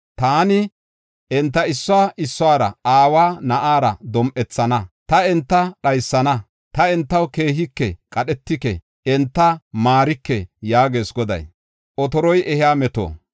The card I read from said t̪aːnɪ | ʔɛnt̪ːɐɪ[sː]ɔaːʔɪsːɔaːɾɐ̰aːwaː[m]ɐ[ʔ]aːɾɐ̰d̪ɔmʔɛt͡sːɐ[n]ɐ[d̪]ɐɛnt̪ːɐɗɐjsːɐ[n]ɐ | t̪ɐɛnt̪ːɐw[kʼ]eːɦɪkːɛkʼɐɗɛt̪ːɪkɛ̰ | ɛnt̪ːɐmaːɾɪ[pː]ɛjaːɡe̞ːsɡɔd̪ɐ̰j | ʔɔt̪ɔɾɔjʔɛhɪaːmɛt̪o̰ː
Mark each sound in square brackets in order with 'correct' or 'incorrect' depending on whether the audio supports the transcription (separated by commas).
correct, incorrect, correct, correct, incorrect, correct, incorrect, incorrect